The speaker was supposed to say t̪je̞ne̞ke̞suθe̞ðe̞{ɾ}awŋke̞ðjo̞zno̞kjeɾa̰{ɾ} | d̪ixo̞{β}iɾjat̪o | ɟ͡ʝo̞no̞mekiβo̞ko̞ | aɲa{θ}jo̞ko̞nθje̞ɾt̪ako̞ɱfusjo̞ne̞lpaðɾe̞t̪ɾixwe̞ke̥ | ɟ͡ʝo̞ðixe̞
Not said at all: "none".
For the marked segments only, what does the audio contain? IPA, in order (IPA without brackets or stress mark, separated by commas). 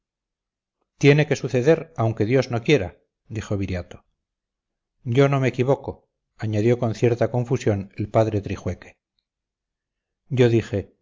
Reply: ɾ, none, β, ð